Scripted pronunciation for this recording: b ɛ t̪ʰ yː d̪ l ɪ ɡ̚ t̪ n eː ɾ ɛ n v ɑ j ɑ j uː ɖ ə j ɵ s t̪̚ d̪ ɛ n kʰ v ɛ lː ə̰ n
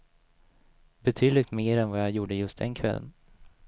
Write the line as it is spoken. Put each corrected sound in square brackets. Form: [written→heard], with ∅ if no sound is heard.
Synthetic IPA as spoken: b ɛ t̪ʰ yː d̪ l ɪ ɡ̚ t̪ [n→m] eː ɾ ɛ n v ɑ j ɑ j uː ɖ ə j ɵ s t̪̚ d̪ ɛ n kʰ v ɛ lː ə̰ n